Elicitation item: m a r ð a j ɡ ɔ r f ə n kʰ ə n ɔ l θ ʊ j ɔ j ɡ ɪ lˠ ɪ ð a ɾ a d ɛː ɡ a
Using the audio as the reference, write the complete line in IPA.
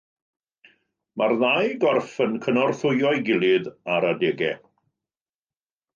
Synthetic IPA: m a r ð a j ɡ ɔ r f ə n kʰ ə n ɔ r θ ʊ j ɔ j ɡ ɪ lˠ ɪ ð a ɾ a d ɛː ɡ ɛ